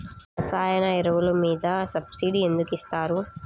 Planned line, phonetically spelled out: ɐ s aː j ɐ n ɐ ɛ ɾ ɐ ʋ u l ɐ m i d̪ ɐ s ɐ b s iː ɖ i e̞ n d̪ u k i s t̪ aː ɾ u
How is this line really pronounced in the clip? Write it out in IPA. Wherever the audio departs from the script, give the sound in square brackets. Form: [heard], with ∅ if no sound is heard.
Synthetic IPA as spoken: ɐ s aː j ɐ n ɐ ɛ ɾ ɐ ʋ u l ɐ m [iː] d̪ ɐ s ɐ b s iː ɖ i e̞ n d̪ u k i s t̪ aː ɾ u